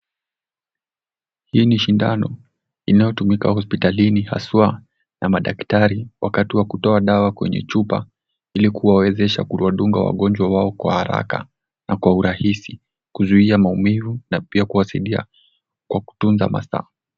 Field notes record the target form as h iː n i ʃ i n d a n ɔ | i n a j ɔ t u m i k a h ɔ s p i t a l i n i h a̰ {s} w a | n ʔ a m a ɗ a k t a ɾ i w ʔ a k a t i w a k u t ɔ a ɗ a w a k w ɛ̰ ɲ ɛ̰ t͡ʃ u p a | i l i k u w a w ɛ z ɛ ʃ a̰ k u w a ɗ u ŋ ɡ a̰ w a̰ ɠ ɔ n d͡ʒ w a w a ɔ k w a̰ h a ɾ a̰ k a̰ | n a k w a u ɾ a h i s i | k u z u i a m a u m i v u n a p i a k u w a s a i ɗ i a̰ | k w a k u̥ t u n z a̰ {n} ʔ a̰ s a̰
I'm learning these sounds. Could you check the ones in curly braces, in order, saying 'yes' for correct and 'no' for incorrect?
yes, no

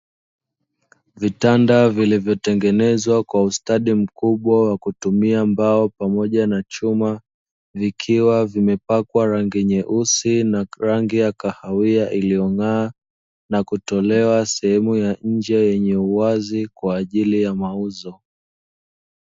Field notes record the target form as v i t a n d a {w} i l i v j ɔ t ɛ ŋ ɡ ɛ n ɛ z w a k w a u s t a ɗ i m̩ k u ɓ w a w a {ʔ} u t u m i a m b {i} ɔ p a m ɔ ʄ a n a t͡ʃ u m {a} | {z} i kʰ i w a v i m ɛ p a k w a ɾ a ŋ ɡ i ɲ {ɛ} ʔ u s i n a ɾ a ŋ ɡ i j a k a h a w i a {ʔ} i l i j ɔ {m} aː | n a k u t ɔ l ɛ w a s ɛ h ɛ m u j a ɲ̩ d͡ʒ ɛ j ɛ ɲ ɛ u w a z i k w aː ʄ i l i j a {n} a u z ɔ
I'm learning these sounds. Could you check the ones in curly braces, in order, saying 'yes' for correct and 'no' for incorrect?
no, no, no, yes, no, yes, yes, no, no

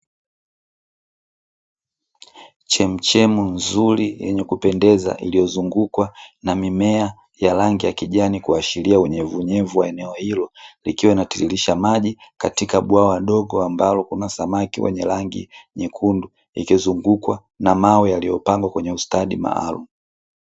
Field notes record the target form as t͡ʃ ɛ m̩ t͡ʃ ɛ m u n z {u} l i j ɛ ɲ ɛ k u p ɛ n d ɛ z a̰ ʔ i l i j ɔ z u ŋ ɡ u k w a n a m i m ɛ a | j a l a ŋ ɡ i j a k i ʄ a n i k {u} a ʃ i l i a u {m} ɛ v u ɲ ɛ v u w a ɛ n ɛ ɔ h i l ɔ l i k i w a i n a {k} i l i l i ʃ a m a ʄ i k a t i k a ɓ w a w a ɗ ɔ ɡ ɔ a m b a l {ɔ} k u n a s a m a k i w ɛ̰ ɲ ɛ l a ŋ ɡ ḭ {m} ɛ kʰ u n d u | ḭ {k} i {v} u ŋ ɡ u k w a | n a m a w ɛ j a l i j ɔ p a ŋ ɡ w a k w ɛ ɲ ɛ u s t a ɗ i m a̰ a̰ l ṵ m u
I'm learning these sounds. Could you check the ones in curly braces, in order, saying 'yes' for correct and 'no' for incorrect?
yes, yes, no, no, yes, no, yes, no

